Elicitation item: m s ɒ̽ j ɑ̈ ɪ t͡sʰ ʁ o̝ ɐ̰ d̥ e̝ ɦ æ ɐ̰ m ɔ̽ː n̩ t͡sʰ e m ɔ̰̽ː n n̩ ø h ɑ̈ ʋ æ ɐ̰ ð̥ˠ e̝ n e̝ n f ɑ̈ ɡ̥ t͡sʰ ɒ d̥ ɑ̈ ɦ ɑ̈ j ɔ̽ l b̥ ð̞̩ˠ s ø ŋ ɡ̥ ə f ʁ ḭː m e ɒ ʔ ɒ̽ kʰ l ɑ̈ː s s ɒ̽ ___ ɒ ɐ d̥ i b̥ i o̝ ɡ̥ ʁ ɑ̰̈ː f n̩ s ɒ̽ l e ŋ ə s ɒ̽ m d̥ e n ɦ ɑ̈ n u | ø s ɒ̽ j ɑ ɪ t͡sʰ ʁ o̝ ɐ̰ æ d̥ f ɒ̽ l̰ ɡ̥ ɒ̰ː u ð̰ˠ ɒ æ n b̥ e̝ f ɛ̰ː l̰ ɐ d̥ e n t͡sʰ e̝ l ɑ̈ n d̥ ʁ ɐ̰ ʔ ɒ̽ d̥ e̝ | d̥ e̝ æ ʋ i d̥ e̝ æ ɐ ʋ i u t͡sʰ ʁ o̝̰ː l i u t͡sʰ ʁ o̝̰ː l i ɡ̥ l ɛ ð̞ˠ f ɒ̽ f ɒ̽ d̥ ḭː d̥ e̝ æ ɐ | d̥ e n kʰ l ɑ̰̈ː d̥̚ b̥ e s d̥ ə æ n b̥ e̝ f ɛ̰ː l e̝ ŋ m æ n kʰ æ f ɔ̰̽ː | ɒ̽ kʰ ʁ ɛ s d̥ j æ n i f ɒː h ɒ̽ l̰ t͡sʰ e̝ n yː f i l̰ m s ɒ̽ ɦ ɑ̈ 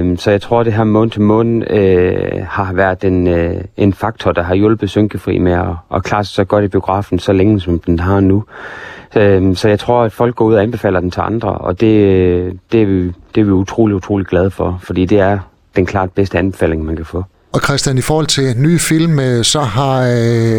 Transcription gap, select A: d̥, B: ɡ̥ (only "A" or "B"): B